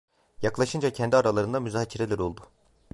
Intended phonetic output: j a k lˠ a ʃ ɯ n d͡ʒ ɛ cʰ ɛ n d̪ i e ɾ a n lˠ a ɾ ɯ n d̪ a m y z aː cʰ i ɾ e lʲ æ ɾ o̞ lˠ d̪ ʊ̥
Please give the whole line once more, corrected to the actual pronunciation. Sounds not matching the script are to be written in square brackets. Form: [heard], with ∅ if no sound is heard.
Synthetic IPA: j a k lˠ a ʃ ɯ n d͡ʒ [a] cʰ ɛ n d̪ i [a] ɾ a [∅] lˠ a ɾ ɯ n d̪ a m y z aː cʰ i ɾ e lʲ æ ɾ o̞ lˠ d̪ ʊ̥